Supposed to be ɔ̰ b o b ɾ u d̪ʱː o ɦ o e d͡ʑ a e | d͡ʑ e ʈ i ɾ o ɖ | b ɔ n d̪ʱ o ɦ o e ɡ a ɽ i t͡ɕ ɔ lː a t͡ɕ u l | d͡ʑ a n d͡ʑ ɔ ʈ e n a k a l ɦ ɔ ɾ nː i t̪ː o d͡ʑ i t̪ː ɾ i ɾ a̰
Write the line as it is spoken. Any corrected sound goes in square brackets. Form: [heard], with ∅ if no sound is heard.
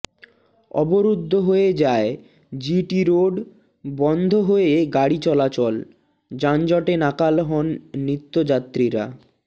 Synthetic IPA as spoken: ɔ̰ b o [∅] ɾ u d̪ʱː o ɦ o e d͡ʑ a e | d͡ʑ [i] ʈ i ɾ o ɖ | b ɔ n d̪ʱ o ɦ o e ɡ a ɽ i t͡ɕ ɔ [l] a t͡ɕ [ɔ] l | d͡ʑ a n d͡ʑ ɔ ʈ e n a k a l ɦ ɔ [∅] nː i t̪ː o d͡ʑ [a] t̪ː ɾ i ɾ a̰

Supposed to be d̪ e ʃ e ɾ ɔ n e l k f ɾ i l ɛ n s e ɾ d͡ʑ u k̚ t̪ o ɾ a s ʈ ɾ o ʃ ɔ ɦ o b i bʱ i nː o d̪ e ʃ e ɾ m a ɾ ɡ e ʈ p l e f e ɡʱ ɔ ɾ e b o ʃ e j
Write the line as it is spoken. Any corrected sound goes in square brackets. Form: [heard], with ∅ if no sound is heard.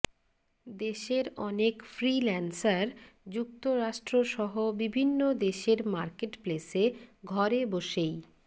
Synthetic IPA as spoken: d̪ e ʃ e ɾ ɔ n e [∅] k f ɾ i l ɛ n s [a] ɾ d͡ʑ u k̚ t̪ o ɾ a [ʃ] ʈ ɾ o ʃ ɔ ɦ o b i bʱ i nː o d̪ e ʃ e ɾ m a ɾ [k] e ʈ p l e [s] e ɡʱ ɔ ɾ e b o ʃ e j

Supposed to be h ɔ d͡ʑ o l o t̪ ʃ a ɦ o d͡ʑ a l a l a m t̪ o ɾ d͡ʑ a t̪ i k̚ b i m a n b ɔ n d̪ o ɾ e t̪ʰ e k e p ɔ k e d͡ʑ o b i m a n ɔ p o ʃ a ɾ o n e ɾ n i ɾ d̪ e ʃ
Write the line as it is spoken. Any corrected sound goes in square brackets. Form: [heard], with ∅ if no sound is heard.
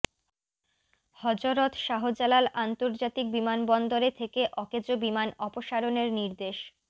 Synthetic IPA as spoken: h ɔ d͡ʑ o [ɾ] o t̪ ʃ a ɦ o d͡ʑ a l a l a [n] t̪ o ɾ d͡ʑ a t̪ i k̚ b i m a n b ɔ n d̪ o ɾ e t̪ʰ e k e [ʔ] ɔ k e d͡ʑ o b i m a n ɔ p o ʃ a ɾ o n e ɾ n i ɾ d̪ e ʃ

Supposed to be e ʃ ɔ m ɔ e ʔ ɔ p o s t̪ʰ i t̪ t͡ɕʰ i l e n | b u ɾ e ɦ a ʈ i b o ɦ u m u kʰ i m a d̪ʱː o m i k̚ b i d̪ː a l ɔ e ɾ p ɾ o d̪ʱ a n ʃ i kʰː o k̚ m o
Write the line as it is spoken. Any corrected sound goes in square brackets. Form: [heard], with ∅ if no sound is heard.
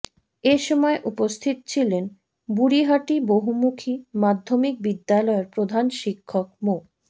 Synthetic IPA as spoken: e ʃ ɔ m ɔ e ʔ [u] p o s t̪ʰ i t̪ t͡ɕʰ i l e n | b u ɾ [i] ɦ a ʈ i b o ɦ u m u kʰ i m a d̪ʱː o m i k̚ b i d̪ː a l ɔ e ɾ p ɾ o d̪ʱ a n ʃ i kʰː o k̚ m o

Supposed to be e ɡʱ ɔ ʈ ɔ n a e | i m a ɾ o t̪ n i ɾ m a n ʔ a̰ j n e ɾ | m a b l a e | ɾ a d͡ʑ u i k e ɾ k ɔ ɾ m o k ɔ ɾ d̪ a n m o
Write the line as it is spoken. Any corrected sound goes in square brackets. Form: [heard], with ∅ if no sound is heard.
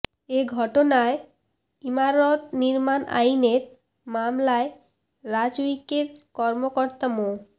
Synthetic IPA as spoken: e ɡʱ ɔ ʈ [o] n a e | i m a ɾ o t̪ n i ɾ m a n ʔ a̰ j n e ɾ | m a [m] l a e | ɾ a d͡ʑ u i k e ɾ k ɔ ɾ m o k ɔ ɾ [t̪] a [∅] m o

